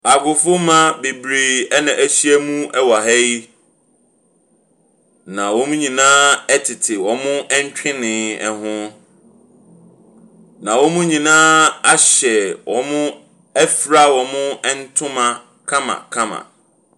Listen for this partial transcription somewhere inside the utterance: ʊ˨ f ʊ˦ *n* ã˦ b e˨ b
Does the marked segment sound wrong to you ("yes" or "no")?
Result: yes